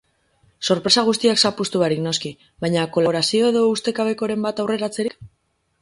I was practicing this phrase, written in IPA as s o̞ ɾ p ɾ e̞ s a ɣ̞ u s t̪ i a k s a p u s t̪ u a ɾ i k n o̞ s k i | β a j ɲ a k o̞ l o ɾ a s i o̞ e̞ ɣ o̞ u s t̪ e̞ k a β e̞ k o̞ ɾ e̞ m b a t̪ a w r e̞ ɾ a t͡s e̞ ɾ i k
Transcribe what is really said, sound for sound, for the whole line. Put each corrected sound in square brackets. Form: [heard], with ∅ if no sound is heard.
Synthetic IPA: s o̞ ɾ p ɾ e̞ s a ɣ̞ u s t̪ i a k s a p u s t̪ u a ɾ i k n o̞ s k i | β a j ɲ a k o̞ l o ɾ a s i o̞ e̞ [ð] o̞ u s t̪ e̞ k a β e̞ k o̞ ɾ e̞ m b a t̪ a w r e̞ ɾ a t͡s e̞ ɾ i k